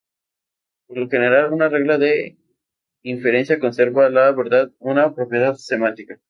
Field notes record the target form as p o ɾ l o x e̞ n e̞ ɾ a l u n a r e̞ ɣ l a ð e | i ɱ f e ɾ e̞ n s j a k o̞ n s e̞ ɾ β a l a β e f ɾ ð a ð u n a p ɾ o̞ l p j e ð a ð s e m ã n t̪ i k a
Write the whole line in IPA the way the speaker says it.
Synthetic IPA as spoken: p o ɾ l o x e̞ n e̞ ɾ a l u n a r e̞ ɣ l a ð e | i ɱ f e ɾ e̞ n s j a k o̞ n s e̞ ɾ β a l a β e ɾ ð a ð u n a p ɾ o̞ p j e ð a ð s e m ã n t̪ i k a

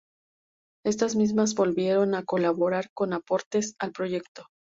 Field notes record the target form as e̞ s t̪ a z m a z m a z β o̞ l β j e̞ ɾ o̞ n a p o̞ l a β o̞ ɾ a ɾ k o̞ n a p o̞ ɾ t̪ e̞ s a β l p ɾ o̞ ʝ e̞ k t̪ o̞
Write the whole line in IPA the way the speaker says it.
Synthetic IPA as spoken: e̞ s t̪ a z m i z m a z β o̞ l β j e̞ ɾ o̞ n a k o̞ l a β o̞ ɾ a ɾ k o̞ n a p o̞ ɾ t̪ e̞ s a l p ɾ o̞ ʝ e̞ k t̪ o̞

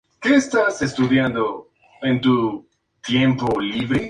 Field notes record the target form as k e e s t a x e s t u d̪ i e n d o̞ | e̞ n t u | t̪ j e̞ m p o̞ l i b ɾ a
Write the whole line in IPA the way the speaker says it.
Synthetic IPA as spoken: k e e s t a s e s t u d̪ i a n d o̞ | e̞ n t u | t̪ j e̞ m p o̞ l i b ɾ e

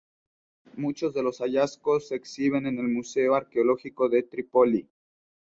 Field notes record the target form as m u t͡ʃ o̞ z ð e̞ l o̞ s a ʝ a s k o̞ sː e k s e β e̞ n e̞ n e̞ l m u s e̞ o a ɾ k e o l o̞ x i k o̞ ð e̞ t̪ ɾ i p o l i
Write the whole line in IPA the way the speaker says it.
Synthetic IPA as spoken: m u t͡ʃ o̞ z ð e̞ l o̞ s a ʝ a s k o̞ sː e k s i β e̞ n e̞ n e̞ l m u s e̞ o a ɾ k e o l o̞ x i k o̞ ð e̞ t̪ ɾ i p o l i

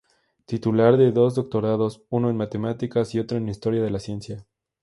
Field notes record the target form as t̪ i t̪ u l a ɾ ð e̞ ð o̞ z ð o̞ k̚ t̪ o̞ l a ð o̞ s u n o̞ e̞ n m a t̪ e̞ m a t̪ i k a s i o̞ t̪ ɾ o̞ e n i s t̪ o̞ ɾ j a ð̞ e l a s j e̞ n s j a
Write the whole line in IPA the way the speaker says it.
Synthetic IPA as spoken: t̪ i t̪ u l a ɾ ð e̞ ð o̞ z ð o̞ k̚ t̪ o̞ ɾ a ð o̞ s u n o̞ e̞ n m a t̪ e̞ m a t̪ i k a s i o̞ t̪ ɾ o̞ e n i s t̪ o̞ ɾ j a ð̞ e l a s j e̞ n s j a

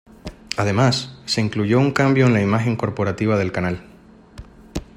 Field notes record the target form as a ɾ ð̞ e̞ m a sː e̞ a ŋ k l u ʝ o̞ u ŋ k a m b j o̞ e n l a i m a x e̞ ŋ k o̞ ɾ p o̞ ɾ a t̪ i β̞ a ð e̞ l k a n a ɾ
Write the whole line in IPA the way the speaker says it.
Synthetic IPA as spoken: a ð̞ e̞ m a sː e̞ i ŋ k l u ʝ o̞ u ŋ k a m b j o̞ e n l a i m a x e̞ ŋ k o̞ ɾ p o̞ ɾ a t̪ i β̞ a ð e̞ l k a n a l

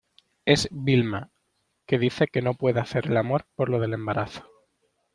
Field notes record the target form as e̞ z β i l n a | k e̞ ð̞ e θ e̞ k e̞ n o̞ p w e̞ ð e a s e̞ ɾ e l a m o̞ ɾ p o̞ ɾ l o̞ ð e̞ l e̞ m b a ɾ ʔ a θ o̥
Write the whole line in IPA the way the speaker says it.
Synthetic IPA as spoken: e̞ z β i l m a | k e̞ ð̞ i θ e̞ k e̞ n o̞ p w e̞ ð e a θ e̞ ɾ e l a m o̞ ɾ p o̞ ɾ l o̞ ð e̞ l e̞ m b a ɾ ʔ a θ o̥

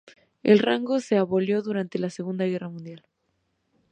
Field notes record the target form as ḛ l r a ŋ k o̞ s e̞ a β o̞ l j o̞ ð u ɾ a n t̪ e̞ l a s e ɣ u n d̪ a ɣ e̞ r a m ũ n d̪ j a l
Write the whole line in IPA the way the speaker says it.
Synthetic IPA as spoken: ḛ l r a ŋ ɡ o̞ s e̞ a β o̞ l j o̞ ð u ɾ a n t̪ e̞ l a s e ɣ u n d̪ a ɣ e̞ r a m ũ n d̪ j a l

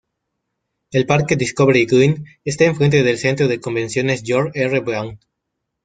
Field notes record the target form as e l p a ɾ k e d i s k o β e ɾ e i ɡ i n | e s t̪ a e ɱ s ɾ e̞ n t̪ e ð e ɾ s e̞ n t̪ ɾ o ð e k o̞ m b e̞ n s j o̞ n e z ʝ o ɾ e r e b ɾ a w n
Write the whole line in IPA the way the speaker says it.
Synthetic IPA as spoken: e l p a ɾ k e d i s k o β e ɾ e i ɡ i n | e s t̪ a e ɱ f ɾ e̞ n t̪ e ð e l s e̞ n t̪ ɾ o ð e k o̞ m b e̞ n s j o̞ n e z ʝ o ɾ e r e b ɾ a w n

